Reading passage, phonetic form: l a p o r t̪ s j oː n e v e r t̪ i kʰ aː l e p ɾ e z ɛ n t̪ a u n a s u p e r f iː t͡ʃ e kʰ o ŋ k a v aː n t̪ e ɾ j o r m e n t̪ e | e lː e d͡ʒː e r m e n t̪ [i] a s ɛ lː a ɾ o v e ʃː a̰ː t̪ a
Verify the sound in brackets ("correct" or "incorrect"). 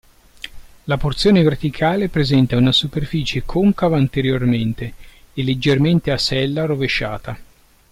incorrect